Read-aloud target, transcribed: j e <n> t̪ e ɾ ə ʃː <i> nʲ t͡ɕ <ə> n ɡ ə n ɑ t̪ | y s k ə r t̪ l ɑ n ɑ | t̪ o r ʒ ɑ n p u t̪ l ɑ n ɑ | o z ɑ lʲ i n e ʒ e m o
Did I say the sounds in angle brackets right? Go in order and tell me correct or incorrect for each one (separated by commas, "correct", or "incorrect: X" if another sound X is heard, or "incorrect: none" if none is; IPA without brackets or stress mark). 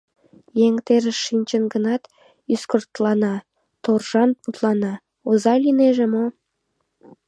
incorrect: ŋ, correct, correct